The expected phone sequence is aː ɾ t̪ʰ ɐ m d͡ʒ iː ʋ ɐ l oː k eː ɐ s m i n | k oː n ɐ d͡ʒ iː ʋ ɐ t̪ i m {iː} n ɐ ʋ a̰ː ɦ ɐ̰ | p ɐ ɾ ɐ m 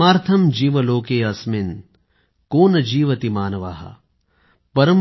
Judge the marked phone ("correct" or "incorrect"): incorrect